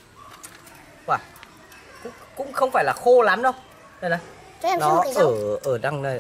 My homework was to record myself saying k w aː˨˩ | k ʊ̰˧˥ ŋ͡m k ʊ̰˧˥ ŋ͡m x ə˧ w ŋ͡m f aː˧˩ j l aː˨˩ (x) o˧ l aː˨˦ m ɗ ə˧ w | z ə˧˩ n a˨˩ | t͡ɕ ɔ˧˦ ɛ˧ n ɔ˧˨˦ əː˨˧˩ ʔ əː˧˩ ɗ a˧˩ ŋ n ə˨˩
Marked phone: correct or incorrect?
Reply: correct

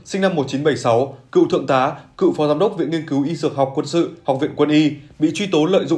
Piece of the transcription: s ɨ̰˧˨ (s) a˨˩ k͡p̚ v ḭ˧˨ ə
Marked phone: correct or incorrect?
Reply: incorrect: h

